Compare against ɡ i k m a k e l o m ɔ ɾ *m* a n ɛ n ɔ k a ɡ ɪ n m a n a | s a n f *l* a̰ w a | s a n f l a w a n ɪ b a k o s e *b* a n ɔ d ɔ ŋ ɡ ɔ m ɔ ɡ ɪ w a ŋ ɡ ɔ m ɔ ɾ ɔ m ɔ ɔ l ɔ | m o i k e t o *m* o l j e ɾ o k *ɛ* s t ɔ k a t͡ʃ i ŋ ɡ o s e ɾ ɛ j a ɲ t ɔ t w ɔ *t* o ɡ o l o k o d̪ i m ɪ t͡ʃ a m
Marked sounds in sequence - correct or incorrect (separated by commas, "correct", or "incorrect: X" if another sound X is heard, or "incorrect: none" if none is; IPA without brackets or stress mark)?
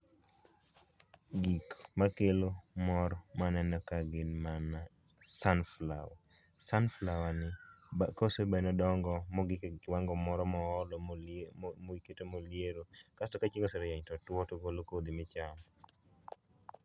correct, correct, correct, correct, incorrect: a, correct